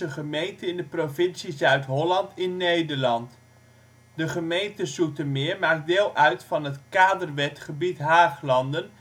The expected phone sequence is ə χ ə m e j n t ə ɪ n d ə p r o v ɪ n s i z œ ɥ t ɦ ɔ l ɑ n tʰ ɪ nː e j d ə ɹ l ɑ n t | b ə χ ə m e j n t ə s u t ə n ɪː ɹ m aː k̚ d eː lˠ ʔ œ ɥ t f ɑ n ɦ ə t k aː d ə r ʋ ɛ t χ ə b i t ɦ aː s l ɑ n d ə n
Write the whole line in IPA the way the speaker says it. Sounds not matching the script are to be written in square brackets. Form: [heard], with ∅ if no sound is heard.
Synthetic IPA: ə χ ə m e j n t ə ɪ n d ə p r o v ɪ n s i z œ ɥ t ɦ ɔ l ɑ n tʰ ɪ nː e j d ə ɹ l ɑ n t | [d] ə χ ə m e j n t ə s u t ə [m] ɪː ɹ m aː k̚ d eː lˠ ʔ œ ɥ t f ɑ n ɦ ə t k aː d ə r ʋ ɛ t χ ə b i t ɦ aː [χ] l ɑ n d ə n